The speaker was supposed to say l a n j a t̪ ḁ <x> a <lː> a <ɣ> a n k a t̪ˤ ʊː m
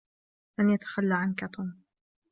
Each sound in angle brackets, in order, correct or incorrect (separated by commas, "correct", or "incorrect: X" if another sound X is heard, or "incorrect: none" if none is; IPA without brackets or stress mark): correct, correct, incorrect: ʕ